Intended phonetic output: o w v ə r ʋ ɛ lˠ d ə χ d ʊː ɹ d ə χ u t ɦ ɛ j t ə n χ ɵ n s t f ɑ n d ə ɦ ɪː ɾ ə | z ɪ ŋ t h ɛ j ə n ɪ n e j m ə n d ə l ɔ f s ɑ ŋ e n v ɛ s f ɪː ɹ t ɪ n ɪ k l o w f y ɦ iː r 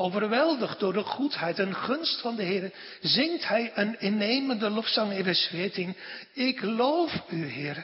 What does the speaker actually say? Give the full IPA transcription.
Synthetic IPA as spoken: o w v ə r ʋ ɛ lˠ d ə χ d ʊː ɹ d ə χ u t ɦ ɛ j t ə n χ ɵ n s t f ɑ n d ə ɦ ɪː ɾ ə | z ɪ ŋ t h ɛ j ə n ɪ n e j m ə n d ə l ɔ f s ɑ ŋ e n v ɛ s f ɪː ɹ t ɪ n ɪ k l o w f y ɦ ɪː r